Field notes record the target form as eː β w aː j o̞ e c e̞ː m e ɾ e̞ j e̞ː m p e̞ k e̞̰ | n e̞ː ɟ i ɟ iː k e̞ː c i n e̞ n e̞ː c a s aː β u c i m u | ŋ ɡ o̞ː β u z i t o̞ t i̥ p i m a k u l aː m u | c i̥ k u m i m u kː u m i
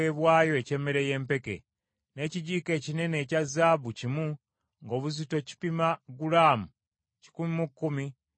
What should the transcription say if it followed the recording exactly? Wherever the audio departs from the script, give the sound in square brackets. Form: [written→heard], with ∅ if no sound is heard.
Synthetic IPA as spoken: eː β w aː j o̞ e c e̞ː m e ɾ e̞ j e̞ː m p e̞ k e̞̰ | n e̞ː [ɟ→c] i ɟ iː k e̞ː c i n e̞ n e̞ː c a [s→z] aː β u c i m u | ŋ ɡ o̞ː β u z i t o̞ [t→c] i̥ p i m a [k→ɡ] u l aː m u | c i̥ k u m i m u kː u m i